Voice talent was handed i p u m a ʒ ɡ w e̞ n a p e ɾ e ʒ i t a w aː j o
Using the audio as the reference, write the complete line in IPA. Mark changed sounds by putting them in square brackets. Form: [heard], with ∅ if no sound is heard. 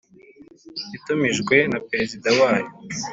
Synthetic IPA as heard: i [t] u m [i] ʒ ɡ w e̞ n a p e ɾ e [z] i [d] a w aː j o